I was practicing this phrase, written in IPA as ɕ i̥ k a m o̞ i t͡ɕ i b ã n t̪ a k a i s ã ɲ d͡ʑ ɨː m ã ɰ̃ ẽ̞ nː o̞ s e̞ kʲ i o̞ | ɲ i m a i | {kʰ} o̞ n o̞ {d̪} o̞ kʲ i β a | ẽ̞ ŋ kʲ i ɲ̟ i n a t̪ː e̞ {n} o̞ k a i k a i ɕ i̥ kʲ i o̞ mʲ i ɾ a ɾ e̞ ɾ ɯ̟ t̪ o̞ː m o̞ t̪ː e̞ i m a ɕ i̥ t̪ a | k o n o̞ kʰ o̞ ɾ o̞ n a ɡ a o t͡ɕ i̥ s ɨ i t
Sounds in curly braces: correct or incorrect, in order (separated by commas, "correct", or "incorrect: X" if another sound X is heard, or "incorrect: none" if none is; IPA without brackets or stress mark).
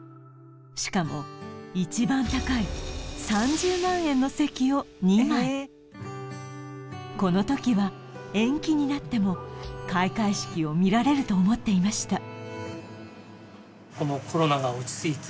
incorrect: k, incorrect: t̪, incorrect: m